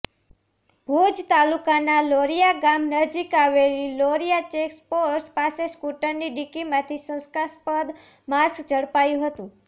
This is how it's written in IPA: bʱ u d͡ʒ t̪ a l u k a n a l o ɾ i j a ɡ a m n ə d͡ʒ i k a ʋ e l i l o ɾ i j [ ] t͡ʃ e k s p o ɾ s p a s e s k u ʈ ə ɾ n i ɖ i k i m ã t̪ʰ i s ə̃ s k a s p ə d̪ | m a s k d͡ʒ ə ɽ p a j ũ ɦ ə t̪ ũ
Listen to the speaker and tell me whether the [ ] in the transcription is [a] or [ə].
a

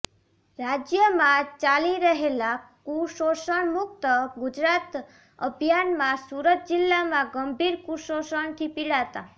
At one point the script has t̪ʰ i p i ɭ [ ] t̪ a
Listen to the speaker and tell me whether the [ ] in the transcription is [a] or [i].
a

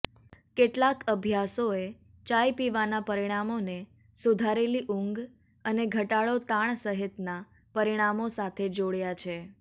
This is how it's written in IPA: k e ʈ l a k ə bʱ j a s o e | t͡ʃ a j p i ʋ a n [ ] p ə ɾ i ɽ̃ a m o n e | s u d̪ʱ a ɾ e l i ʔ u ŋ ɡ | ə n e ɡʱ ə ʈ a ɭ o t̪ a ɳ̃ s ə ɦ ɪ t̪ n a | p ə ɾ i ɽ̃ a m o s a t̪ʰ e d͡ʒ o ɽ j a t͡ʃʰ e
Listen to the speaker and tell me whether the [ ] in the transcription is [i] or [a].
a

